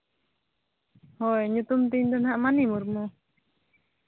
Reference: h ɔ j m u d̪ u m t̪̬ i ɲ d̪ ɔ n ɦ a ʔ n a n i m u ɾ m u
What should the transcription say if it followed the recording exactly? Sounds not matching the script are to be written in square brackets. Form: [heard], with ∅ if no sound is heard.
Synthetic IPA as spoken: h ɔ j [ɲ] u [t̪] u m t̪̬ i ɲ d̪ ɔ n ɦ a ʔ [m] a n i m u ɾ m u